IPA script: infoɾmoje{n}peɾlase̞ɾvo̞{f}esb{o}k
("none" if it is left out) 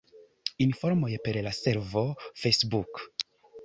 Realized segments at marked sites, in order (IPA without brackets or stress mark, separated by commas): none, f, u